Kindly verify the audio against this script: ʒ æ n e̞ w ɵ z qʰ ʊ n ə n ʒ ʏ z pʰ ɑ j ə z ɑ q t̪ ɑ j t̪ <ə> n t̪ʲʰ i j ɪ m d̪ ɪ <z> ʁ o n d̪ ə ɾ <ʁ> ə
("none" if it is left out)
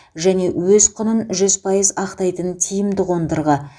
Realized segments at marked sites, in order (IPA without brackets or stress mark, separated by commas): ə, none, ʁ